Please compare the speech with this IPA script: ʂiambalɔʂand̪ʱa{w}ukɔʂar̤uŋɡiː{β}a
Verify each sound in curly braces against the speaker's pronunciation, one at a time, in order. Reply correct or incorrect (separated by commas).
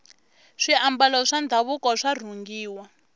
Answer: incorrect, incorrect